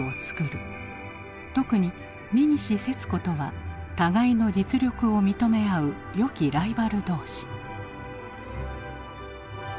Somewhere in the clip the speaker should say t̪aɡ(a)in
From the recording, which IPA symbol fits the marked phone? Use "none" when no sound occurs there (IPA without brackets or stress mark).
a